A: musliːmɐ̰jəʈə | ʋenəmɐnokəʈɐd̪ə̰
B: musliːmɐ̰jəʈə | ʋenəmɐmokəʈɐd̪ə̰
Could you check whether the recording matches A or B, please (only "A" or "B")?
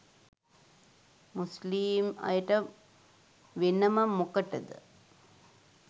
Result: B